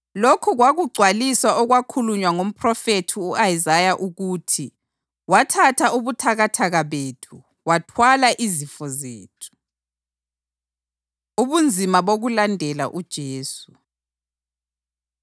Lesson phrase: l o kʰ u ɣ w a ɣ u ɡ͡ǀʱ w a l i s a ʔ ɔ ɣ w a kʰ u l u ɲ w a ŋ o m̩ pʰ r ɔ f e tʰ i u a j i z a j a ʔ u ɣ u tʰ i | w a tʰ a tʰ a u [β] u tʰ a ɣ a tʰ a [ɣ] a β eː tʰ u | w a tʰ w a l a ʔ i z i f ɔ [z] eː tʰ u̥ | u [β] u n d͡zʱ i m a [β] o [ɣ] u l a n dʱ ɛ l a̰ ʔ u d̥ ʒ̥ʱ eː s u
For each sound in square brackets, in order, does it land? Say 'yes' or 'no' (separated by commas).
yes, yes, yes, yes, yes, yes